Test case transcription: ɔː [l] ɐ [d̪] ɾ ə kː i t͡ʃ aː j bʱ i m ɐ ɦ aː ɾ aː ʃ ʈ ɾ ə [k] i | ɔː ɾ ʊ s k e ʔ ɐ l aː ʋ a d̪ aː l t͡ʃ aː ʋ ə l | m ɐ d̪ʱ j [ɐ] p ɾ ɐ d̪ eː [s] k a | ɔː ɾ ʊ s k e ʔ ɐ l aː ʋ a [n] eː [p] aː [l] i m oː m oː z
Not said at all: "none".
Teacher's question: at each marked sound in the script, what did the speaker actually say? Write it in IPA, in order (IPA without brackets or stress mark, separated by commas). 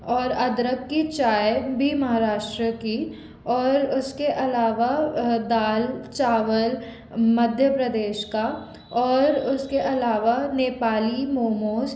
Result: ɾ, d̪, k, ə, ʃ, n, p, l